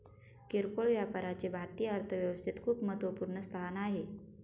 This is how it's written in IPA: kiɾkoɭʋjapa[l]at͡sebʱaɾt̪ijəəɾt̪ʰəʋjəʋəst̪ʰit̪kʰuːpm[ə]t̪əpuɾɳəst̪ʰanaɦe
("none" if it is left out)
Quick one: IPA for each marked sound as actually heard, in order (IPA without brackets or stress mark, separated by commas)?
ɾ, ə